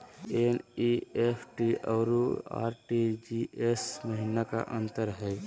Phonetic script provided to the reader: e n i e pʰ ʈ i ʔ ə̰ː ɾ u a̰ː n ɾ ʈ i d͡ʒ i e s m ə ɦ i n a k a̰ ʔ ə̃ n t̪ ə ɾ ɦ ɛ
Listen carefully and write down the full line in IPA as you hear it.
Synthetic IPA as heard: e n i e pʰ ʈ i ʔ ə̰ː ɾ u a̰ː ɾ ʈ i d͡ʒ i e s m ə ɦ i n a k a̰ ʔ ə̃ n t̪ ə ɾ ɦ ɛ